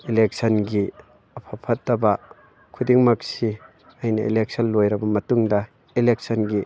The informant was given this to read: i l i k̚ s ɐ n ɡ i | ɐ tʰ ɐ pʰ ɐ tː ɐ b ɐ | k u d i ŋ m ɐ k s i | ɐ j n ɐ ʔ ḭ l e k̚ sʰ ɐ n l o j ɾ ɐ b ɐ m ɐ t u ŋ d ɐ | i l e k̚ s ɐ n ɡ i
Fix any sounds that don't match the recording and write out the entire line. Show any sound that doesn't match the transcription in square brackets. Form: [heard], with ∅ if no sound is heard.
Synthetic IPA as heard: i l [e] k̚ s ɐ n ɡ i | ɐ [pʰ] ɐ pʰ ɐ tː ɐ b ɐ | [kʰ] u d i ŋ m ɐ k s i | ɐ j n ɐ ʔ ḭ l e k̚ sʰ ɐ n l o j ɾ ɐ b ɐ m ɐ t u ŋ d ɐ | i l e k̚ s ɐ n ɡ i